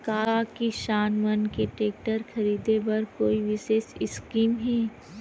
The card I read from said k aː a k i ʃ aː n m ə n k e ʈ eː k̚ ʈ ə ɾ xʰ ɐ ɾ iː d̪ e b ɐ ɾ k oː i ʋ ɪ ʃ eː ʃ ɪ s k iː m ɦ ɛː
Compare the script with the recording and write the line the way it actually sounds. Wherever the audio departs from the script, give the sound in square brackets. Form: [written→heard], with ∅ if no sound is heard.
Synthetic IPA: k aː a k i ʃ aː n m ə n k e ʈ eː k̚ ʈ ə ɾ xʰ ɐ ɾ iː d̪ e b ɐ ɾ k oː i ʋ ɪ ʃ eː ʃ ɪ s k iː m ɦ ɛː